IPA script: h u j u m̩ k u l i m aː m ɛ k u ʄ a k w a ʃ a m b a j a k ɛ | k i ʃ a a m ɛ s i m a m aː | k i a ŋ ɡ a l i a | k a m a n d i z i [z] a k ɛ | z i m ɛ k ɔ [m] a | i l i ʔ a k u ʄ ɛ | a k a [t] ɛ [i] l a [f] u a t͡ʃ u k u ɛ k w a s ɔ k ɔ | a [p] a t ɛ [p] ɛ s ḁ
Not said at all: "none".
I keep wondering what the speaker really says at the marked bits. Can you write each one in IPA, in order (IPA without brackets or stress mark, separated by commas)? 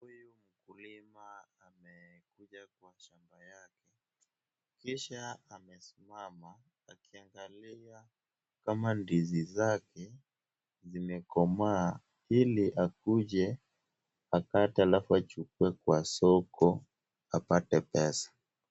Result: z, m, t, a, f, p, p